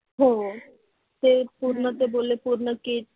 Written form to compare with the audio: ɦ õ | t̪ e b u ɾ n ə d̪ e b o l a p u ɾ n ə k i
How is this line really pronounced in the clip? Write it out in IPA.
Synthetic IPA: ɦ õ | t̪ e p u ɾ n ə t̪ e b o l e p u ɾ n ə k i